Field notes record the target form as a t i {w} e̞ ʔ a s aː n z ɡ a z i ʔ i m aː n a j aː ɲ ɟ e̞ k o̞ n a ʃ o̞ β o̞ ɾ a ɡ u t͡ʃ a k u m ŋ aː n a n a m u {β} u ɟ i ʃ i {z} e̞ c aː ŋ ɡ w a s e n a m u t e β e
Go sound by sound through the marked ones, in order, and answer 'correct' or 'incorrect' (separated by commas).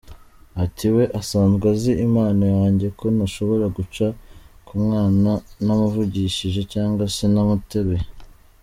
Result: correct, incorrect, incorrect